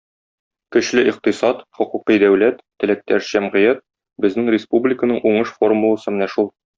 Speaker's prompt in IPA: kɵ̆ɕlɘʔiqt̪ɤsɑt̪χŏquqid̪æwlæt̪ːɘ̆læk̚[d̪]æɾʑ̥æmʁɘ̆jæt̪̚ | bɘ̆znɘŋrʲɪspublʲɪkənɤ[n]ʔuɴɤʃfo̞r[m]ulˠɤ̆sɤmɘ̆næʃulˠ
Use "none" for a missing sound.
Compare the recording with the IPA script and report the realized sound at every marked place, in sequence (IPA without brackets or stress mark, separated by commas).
t̪, ɴ, m